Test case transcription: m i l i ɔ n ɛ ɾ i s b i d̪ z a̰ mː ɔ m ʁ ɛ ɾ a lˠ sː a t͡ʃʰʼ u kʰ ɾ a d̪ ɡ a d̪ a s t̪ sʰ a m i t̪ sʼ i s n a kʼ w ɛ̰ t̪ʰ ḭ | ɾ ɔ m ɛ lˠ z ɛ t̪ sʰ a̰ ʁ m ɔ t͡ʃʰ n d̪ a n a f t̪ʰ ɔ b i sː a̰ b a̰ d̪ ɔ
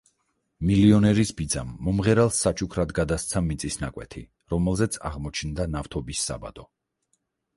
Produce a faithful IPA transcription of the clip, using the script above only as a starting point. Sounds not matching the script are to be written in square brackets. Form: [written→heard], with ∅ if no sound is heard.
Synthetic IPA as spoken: m i l i ɔ n ɛ ɾ i s b i d̪ z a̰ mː ɔ m ʁ ɛ ɾ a lˠ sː a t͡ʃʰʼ u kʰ ɾ a d̪ ɡ a d̪ a s t̪ sʰ a m i t̪ sʼ i s n a kʼ w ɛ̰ t̪ʰ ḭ | ɾ ɔ m ɛ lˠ z ɛ t̪ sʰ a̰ ʁ m ɔ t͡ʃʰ n d̪ a n a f t̪ʰ ɔ b i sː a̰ b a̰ d̪ ɔ